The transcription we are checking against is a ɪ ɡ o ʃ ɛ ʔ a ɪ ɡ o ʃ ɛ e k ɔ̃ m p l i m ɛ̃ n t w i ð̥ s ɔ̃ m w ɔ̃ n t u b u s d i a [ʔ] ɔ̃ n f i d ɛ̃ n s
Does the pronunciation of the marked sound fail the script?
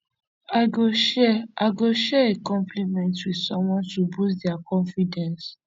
yes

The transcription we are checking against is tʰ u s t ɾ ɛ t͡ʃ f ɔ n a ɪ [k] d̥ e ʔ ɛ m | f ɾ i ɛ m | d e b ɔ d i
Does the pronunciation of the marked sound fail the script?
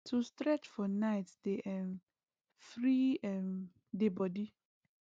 yes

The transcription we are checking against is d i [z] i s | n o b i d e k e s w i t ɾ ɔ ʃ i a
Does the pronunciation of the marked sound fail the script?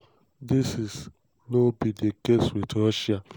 yes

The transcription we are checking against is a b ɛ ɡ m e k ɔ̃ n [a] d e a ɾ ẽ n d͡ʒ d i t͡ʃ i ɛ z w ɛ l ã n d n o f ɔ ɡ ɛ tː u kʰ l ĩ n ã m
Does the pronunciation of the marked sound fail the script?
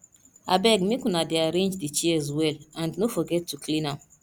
no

